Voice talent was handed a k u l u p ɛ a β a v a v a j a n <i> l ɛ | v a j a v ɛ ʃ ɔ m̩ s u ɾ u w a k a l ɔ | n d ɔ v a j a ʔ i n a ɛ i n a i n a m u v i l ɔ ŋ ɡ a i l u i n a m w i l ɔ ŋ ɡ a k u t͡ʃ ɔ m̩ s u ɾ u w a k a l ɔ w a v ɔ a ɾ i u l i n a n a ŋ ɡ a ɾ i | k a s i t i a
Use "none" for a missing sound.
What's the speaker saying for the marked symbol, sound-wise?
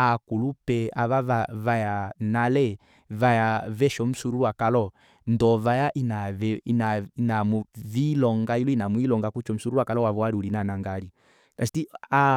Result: a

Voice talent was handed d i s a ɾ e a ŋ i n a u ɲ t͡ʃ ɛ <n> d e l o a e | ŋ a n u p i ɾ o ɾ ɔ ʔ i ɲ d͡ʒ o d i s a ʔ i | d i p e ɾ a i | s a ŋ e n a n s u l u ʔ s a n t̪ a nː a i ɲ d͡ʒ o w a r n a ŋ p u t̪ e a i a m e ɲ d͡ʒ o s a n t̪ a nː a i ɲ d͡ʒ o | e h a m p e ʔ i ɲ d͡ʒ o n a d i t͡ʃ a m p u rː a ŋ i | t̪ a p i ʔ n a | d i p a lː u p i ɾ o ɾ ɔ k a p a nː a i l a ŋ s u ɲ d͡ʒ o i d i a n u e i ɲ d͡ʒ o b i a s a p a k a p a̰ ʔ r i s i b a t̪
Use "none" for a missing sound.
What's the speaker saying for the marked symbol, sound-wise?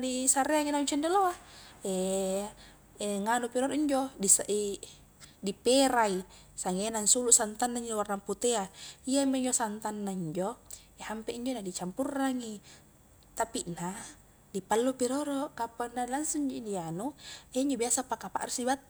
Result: n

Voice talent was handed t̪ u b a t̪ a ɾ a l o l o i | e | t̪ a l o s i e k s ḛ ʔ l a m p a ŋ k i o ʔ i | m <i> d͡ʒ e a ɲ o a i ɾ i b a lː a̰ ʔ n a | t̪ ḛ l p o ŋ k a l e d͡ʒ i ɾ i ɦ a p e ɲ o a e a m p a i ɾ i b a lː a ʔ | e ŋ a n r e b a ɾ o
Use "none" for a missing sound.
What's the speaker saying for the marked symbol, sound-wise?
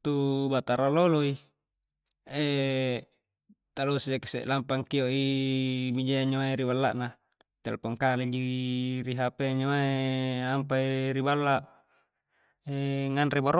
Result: i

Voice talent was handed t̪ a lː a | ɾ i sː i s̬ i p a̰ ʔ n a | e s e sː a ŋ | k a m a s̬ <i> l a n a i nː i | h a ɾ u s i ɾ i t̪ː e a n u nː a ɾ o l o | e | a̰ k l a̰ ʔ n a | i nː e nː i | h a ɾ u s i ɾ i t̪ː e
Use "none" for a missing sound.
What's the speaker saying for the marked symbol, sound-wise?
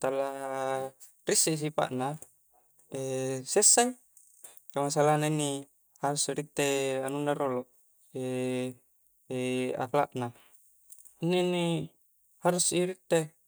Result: a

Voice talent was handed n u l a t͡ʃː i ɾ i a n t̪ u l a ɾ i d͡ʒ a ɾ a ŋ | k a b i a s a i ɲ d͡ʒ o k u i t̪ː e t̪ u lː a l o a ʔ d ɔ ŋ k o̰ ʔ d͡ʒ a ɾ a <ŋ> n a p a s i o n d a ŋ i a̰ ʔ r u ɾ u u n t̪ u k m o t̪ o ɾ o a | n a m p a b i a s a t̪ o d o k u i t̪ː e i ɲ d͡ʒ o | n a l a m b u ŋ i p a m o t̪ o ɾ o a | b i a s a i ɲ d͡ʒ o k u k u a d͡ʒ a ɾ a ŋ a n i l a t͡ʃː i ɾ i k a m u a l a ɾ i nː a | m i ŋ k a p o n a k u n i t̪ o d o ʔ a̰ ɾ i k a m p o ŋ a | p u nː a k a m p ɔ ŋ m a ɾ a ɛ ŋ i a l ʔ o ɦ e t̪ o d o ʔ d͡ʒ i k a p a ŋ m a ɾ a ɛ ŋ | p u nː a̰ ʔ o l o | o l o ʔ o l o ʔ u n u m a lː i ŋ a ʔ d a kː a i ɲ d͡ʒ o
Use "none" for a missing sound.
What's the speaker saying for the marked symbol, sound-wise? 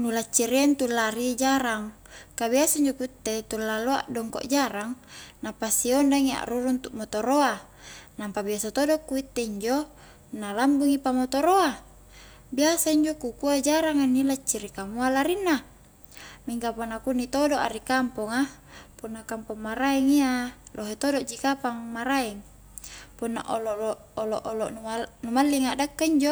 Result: ŋ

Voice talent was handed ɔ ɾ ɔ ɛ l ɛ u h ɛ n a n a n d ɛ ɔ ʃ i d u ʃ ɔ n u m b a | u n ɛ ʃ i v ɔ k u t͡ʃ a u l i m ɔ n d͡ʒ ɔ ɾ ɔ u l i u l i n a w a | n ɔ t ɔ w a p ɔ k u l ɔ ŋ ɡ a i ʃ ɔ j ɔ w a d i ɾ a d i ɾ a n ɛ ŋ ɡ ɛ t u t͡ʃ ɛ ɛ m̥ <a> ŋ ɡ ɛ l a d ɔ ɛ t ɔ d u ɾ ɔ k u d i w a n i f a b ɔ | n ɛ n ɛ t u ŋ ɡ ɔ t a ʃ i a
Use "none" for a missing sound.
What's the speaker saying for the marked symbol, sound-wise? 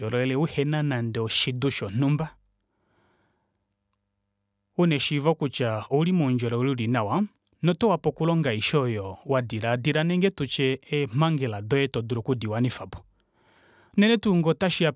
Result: a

